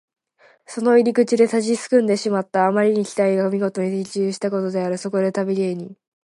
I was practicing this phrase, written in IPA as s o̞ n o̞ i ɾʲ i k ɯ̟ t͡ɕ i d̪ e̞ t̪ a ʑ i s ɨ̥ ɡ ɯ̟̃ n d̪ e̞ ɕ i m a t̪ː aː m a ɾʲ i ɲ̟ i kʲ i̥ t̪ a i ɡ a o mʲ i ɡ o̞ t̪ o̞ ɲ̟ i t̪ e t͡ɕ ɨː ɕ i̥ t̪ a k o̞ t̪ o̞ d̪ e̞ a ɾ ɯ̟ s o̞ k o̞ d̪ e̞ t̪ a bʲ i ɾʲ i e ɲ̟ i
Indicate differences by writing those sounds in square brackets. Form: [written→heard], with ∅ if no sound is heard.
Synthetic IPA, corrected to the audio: s o̞ n o̞ i ɾʲ i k ɯ̟ t͡ɕ i d̪ e̞ t̪ a ʑ i s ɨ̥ [ɡ→k] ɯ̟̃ n d̪ e̞ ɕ i m a t̪ː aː m a ɾʲ i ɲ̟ i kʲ i̥ t̪ a i ɡ a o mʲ i ɡ o̞ t̪ o̞ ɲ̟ i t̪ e t͡ɕ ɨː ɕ i̥ t̪ a k o̞ t̪ o̞ d̪ e̞ a ɾ ɯ̟ s o̞ k o̞ d̪ e̞ t̪ a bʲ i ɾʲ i e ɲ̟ i